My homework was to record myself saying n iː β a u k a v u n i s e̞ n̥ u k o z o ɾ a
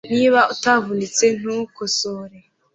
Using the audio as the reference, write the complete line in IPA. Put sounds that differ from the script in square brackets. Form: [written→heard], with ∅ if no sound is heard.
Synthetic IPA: n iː β a u [k→t] a v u n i [s→t͡s] e̞ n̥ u k o [z→s] o ɾ [a→e]

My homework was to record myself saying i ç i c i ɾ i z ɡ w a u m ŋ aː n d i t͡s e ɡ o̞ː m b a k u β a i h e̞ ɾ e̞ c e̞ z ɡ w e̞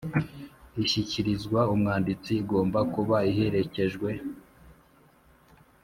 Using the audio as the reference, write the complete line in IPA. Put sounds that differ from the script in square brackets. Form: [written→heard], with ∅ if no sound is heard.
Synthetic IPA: i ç i c i ɾ i z ɡ w a u m ŋ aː n d i t͡s [e→i] ɡ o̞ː m b a k u β a i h e̞ ɾ e̞ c e̞ [z→ʒ] ɡ w e̞

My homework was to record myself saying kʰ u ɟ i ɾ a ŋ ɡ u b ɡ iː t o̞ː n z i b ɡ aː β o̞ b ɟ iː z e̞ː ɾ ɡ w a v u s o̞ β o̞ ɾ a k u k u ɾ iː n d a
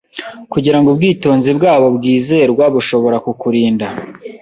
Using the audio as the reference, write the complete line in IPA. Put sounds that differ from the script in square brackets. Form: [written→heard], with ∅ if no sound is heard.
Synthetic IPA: [kʰ→k] u ɟ i ɾ a ŋ ɡ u b ɡ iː t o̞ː n z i b ɡ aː β o̞ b [ɟ→ɡ] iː z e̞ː ɾ ɡ w a [v→β] u [s→ʃ] o̞ β o̞ ɾ a k u k u ɾ iː n d a

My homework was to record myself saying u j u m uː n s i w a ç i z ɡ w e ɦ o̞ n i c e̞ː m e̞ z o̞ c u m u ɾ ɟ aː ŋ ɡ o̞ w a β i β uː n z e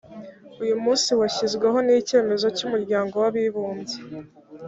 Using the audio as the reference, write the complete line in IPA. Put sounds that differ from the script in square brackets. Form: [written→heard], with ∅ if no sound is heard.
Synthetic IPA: u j u m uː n s i w a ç i z ɡ w e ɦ o̞ n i c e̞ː m e̞ z o̞ c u m u ɾ ɟ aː ŋ ɡ o̞ w a β i β uː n z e

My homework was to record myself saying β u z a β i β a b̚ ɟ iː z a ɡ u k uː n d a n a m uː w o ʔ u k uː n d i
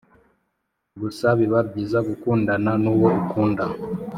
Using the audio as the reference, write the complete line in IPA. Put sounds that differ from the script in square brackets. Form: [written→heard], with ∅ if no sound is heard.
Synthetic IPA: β u [z→s] a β i β a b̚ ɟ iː z a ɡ u k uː n d a n a [m→n] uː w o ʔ u k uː n d [i→a]

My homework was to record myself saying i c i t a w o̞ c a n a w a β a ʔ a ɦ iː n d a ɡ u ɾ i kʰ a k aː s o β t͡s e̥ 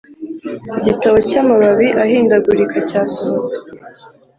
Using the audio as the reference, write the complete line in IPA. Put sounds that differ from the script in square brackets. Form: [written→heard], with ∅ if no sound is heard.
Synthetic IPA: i [c→ɟ] i t a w o̞ c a [n→m] a [w→β] a β [a→i] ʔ a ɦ iː n d a ɡ u ɾ i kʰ a [k→c] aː s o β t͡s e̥

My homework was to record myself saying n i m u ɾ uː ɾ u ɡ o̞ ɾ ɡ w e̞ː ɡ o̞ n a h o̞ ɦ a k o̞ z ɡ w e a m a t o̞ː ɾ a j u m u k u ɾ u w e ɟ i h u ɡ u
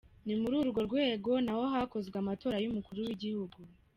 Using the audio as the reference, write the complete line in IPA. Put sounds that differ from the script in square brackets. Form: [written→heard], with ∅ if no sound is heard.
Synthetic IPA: n i m u ɾ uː ɾ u ɡ o̞ ɾ ɡ w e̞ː ɡ o̞ n a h o̞ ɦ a k o̞ z ɡ w e a m a t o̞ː ɾ a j u m u k u ɾ u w [e→i] ɟ i h u ɡ u

